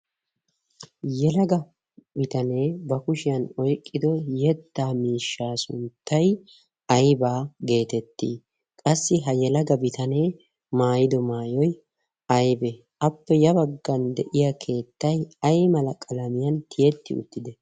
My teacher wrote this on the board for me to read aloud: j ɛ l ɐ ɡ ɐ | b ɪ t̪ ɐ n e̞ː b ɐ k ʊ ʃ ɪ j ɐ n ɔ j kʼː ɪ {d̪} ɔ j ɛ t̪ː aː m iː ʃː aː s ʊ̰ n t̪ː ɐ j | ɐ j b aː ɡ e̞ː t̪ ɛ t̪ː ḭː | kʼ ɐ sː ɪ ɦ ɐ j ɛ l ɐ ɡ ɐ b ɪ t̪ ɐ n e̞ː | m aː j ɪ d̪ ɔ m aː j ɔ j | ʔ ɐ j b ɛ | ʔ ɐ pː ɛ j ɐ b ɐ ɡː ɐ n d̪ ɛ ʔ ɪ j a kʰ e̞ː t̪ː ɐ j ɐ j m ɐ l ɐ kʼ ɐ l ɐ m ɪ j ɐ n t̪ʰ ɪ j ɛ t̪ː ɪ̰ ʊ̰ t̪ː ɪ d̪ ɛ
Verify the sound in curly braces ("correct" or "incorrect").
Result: correct